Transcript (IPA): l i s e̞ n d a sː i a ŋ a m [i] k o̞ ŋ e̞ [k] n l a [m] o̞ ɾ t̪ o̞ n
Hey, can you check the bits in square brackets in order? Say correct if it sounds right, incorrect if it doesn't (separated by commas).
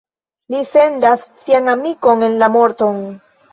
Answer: correct, incorrect, correct